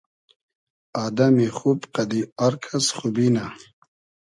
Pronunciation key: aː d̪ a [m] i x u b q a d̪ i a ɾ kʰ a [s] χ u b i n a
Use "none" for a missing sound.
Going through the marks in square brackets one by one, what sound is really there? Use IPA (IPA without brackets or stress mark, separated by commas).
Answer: m, s